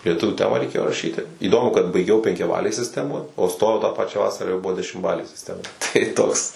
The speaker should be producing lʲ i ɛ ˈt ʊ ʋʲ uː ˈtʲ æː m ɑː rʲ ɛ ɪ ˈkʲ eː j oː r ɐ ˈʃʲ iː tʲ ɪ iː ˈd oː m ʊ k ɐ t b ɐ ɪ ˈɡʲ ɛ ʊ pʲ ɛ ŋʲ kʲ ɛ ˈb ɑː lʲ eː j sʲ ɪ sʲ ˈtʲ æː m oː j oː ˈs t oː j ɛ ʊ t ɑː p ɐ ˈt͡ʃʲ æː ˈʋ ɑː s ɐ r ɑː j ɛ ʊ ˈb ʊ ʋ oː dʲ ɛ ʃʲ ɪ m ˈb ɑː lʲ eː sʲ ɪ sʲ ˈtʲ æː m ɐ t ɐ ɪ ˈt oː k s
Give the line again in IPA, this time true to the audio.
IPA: lʲ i ɛ ˈt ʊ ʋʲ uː ˈtʲ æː m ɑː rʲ ɛ ɪ ˈkʲ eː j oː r ɐ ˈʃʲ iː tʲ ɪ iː ˈd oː m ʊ k ɐ t b ɐ ɪ ˈɡʲ ɛ ʊ pʲ ɛ ŋʲ kʲ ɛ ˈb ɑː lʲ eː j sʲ ɪ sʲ ˈtʲ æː m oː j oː ˈs t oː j ɛ ʊ t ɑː p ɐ ˈt͡ʃʲ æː ˈʋ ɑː s ɐ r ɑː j ɛ ʊ ˈb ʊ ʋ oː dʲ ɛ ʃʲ ɪ m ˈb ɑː lʲ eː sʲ ɪ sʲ ˈtʲ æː m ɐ t ɐ ɪ ˈt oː k s